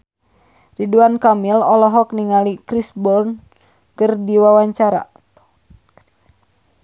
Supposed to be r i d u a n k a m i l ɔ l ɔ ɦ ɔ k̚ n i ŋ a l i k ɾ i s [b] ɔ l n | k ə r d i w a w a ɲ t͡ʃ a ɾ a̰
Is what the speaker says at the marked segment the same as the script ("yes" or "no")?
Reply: yes